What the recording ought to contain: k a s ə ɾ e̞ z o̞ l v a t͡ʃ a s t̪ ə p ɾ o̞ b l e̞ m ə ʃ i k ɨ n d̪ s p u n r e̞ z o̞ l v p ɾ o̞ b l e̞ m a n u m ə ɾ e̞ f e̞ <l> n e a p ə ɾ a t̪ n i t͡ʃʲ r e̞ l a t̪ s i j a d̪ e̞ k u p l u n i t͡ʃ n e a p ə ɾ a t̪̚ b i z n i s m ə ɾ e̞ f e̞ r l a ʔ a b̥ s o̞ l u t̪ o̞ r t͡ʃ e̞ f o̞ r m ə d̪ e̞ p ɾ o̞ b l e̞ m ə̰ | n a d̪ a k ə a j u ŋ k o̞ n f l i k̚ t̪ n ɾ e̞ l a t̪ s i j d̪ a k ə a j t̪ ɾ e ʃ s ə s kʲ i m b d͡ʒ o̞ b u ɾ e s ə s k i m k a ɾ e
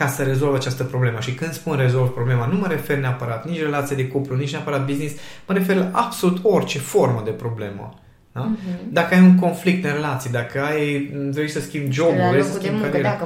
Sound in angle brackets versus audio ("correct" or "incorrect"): incorrect